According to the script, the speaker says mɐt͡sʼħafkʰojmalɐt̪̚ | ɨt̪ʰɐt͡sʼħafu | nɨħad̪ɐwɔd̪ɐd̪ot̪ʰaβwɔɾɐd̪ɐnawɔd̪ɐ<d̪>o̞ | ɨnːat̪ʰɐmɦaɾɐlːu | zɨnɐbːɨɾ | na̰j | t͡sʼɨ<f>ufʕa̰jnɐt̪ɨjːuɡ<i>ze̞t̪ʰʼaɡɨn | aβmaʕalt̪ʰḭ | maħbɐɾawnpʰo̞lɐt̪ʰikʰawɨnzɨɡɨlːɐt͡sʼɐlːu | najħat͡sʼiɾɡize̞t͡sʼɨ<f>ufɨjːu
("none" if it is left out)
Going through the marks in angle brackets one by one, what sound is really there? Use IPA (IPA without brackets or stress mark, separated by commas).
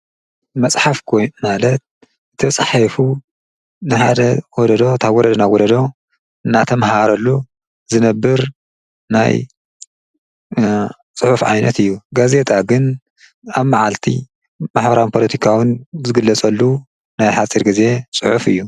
d̪, ħ, a, ħ